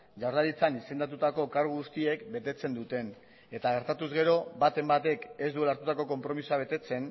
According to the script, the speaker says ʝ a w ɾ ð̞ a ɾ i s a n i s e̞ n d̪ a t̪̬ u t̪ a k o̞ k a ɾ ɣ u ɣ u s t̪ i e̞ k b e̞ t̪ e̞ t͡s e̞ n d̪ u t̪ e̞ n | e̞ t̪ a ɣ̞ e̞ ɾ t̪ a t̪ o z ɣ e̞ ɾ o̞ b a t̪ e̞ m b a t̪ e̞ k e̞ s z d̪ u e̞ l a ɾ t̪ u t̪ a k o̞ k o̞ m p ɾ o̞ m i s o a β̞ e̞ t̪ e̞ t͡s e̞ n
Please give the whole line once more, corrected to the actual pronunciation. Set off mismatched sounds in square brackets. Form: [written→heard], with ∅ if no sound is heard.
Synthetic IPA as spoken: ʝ a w ɾ ð̞ a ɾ i [s→t͡s] a n i s e̞ n d̪ a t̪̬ u t̪ a k o̞ k a ɾ ɣ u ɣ u s t̪ i e̞ k b e̞ t̪ e̞ t͡s e̞ n d̪ u t̪ e̞ n | e̞ t̪ a ɣ̞ e̞ ɾ t̪ a t̪ [o→u] z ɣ e̞ ɾ o̞ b a t̪ e̞ m b a t̪ e̞ k e̞ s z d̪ u e̞ l a ɾ t̪ u t̪ a k o̞ k o̞ m p ɾ o̞ m i s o a β̞ e̞ t̪ e̞ t͡s e̞ n

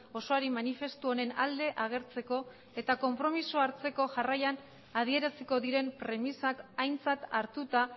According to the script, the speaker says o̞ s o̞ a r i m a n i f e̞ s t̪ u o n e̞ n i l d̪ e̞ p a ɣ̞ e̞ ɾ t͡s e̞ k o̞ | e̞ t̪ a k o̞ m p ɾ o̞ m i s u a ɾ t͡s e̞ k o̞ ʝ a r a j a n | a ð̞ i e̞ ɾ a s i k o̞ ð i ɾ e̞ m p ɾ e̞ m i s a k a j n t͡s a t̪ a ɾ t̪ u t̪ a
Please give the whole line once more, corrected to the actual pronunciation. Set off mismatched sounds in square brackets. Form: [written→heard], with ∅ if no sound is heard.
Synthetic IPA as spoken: o̞ s o̞ a [r→ɾ] i m a n i f e̞ s t̪ u o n e̞ n [i→a] l d̪ e̞ [p→ʔ] a ɣ̞ e̞ ɾ t͡s e̞ k o̞ | e̞ t̪ a k o̞ m p ɾ o̞ m i s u a ɾ t͡s e̞ k o̞ ʝ a r a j a n | a ð̞ i e̞ ɾ a s i k o̞ ð i ɾ e̞ m p ɾ e̞ m i s a k a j n t͡s a t̪ a ɾ t̪ u t̪ a

